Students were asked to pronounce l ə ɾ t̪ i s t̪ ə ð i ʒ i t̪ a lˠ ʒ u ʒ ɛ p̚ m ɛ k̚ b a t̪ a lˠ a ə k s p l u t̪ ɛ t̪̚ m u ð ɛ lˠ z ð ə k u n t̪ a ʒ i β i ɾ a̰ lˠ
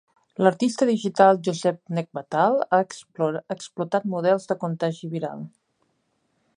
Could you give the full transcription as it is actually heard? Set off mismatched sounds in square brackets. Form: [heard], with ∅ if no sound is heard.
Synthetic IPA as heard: l ə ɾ t̪ i s t̪ ə ð i ʒ i t̪ a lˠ ʒ u [z] ɛ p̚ [n] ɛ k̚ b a t̪ a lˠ a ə k s p l u t̪ [a] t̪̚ m u ð ɛ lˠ z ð ə k u n t̪ a ʒ i β i ɾ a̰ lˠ